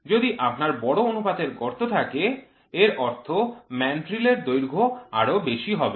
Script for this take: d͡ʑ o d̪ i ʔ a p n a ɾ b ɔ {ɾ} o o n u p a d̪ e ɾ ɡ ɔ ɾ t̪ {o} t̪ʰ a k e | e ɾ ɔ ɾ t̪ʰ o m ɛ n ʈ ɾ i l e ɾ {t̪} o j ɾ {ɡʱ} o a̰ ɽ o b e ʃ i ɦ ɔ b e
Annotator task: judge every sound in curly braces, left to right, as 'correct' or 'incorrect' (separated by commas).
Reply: incorrect, correct, incorrect, correct